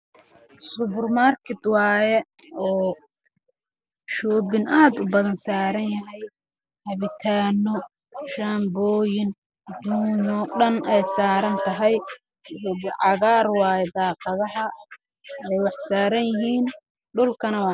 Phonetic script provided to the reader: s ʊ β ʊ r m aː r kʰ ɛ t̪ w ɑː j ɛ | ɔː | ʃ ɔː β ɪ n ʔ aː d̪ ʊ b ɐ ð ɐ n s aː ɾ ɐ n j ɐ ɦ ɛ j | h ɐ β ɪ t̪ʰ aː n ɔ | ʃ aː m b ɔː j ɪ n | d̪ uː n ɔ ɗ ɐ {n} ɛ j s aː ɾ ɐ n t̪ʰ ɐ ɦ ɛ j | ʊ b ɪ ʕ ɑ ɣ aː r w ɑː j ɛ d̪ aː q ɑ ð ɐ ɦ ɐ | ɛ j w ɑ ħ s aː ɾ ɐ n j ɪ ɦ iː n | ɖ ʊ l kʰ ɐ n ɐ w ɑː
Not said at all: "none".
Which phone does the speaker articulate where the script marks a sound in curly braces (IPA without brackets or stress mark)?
n